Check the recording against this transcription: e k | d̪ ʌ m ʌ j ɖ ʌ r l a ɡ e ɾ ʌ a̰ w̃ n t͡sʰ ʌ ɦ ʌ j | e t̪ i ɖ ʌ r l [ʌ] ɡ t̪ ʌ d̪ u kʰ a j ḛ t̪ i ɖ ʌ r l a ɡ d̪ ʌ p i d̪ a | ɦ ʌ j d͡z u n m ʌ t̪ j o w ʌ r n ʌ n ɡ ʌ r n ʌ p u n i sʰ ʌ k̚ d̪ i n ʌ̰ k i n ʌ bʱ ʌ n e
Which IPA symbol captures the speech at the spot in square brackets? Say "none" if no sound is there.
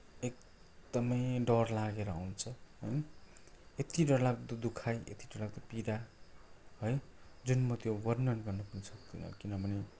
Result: a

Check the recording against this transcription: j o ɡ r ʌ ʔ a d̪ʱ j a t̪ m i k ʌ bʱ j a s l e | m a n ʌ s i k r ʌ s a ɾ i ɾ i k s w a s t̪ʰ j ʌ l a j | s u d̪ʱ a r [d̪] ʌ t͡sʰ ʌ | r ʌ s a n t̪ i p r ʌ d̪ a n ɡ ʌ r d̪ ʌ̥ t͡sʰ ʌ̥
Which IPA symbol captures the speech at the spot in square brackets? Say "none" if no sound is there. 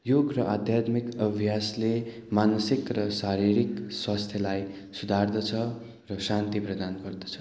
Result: d̪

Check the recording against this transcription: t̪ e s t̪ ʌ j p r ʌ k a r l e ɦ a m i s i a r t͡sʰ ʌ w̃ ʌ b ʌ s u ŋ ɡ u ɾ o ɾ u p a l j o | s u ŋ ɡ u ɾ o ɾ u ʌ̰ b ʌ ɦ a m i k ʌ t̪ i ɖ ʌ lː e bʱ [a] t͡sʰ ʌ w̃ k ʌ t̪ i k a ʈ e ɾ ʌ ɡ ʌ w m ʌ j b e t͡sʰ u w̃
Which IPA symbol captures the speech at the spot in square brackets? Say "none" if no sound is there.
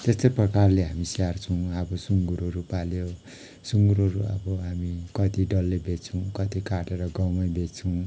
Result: e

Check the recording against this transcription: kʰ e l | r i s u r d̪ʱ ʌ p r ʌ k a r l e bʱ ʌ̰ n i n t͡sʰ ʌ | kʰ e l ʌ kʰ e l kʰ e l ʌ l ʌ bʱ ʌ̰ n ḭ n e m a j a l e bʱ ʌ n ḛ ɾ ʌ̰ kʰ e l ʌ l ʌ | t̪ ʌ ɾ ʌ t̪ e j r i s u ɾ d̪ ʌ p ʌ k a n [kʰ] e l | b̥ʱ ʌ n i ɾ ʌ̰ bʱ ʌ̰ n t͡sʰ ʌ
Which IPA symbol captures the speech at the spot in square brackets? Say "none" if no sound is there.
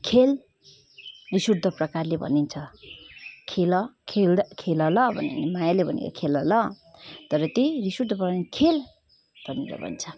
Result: kʰ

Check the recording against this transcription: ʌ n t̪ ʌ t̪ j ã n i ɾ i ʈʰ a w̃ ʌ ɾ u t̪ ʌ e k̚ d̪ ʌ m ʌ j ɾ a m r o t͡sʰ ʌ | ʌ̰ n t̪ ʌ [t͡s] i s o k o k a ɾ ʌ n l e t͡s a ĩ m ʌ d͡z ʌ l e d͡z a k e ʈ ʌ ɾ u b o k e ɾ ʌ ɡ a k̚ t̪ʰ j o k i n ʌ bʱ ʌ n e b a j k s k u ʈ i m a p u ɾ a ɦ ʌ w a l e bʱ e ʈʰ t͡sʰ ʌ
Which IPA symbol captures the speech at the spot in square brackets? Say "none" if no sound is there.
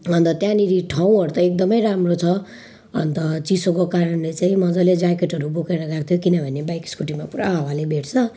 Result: t͡s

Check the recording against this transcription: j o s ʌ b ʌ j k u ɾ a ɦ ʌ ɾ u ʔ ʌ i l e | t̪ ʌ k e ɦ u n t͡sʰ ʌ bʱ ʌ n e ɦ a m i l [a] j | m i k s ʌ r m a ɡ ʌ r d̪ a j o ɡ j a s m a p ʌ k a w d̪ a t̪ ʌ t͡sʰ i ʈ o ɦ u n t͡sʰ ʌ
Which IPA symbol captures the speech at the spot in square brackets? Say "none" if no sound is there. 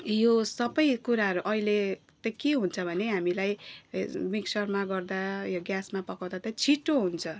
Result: a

